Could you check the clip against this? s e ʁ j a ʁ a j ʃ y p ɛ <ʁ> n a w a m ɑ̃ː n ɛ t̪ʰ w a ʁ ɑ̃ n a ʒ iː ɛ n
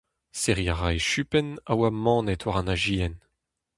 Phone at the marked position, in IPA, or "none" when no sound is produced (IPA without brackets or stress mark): none